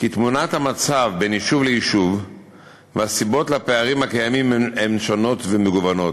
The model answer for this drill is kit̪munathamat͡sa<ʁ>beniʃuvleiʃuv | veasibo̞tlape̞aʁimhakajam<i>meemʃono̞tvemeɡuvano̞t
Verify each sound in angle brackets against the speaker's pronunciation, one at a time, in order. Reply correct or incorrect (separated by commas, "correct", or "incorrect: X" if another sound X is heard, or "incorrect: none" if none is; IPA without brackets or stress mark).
incorrect: v, correct